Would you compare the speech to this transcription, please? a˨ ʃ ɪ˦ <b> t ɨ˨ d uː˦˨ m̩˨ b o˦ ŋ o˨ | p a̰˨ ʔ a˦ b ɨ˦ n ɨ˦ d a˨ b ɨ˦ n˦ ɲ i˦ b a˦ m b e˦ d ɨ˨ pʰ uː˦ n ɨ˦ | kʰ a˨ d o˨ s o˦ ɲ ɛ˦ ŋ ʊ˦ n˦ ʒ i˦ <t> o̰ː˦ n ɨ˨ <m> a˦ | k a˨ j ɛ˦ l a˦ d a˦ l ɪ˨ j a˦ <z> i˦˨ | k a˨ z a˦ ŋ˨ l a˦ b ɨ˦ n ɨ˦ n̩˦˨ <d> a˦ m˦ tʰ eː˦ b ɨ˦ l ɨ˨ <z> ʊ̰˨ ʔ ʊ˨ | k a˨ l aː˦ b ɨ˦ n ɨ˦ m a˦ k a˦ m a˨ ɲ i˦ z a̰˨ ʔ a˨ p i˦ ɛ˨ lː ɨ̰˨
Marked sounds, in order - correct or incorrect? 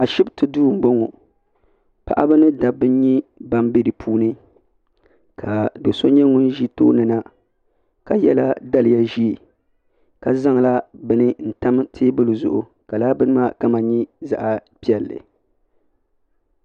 correct, correct, incorrect: n, incorrect: ʒ, incorrect: t, correct

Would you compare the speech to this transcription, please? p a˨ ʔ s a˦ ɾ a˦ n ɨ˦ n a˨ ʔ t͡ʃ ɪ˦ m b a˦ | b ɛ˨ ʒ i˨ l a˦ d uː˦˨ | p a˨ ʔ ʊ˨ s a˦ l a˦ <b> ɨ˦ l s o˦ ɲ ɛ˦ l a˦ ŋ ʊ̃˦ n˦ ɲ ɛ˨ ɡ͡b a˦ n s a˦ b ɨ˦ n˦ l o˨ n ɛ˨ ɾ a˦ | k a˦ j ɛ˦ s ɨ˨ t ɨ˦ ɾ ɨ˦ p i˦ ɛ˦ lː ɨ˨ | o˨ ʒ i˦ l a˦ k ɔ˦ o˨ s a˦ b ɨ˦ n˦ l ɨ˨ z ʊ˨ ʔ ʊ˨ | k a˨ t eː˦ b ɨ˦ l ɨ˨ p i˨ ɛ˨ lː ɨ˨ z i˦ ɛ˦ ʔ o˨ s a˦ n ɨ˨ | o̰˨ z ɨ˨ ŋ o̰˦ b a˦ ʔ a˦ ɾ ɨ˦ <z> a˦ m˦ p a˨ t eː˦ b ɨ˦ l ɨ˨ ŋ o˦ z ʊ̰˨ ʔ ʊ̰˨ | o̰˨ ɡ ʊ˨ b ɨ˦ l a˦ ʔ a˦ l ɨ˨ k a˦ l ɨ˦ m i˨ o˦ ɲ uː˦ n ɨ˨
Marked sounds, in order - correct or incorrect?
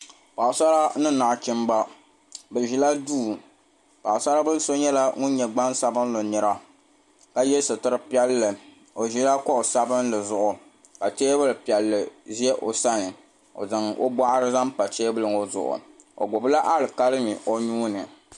correct, correct

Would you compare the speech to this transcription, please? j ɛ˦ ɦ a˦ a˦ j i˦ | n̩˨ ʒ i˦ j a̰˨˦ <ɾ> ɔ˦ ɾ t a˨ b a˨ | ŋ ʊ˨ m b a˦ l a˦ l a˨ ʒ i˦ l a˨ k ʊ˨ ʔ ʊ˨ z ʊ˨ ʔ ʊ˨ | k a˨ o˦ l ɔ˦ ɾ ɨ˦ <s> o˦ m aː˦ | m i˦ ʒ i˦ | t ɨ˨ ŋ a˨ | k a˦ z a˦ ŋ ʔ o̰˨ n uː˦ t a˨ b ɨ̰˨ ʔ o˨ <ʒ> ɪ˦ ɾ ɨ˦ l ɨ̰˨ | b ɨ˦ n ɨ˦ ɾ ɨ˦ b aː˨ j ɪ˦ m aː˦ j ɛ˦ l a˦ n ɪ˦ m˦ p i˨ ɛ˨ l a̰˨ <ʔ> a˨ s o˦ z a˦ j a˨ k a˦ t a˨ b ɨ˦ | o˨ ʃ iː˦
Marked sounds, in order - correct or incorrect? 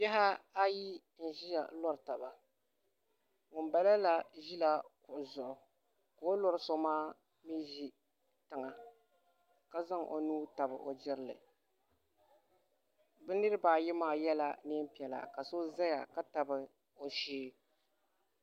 incorrect: l, correct, incorrect: d͡ʒ, incorrect: k

